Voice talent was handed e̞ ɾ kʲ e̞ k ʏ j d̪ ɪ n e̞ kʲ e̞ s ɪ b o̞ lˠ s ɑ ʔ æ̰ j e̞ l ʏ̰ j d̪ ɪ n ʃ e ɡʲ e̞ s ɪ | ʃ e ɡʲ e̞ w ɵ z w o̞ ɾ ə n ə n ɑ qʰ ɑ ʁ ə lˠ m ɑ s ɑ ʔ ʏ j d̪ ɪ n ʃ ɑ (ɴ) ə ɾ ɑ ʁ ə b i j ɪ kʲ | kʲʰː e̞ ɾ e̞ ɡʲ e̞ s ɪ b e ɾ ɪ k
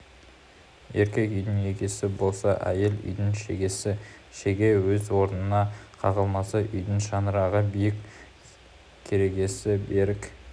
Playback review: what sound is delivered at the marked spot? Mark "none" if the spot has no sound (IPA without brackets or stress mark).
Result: n